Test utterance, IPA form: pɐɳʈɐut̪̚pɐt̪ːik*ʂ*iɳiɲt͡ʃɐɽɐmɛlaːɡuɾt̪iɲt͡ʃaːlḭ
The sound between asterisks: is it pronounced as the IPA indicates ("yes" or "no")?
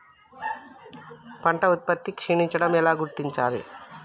yes